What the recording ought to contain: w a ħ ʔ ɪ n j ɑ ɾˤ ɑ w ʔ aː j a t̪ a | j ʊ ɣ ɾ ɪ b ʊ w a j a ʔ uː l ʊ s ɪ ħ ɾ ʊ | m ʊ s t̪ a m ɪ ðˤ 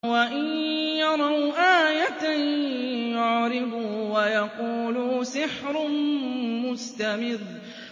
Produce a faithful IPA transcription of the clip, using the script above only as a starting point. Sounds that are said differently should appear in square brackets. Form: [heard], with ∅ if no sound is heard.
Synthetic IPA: w a [∅] ʔ ɪ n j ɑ ɾˤ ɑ w ʔ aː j a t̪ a | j ʊ [ʕ] ɾ ɪ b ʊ w a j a [q] uː l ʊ s ɪ ħ ɾ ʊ | m ʊ s t̪ a m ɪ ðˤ